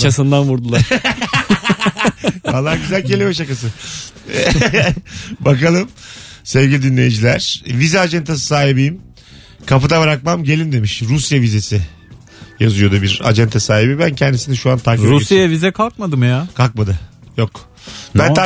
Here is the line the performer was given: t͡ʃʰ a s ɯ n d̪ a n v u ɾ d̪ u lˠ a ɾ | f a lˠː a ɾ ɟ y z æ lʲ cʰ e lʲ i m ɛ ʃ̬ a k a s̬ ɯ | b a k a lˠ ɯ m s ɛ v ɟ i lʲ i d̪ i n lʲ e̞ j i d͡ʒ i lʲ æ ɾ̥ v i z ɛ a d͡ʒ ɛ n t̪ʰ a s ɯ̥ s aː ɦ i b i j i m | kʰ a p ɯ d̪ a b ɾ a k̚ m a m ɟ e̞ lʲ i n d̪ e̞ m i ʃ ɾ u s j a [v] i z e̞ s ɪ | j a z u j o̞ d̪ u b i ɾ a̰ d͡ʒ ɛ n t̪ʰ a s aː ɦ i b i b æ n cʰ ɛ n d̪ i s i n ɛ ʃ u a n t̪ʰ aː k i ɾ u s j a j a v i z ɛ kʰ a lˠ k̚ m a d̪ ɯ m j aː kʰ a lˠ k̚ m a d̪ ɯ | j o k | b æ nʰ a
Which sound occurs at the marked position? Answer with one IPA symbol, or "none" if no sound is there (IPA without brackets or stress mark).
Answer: v